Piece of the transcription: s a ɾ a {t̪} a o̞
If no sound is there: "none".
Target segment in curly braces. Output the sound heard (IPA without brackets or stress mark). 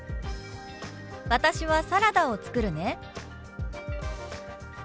d̪